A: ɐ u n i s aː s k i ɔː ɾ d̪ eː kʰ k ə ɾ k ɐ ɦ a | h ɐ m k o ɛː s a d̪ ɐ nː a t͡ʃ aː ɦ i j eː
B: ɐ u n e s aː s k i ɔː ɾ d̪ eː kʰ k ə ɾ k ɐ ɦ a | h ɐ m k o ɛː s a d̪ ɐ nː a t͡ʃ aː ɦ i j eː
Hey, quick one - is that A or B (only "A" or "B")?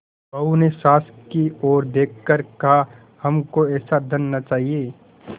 B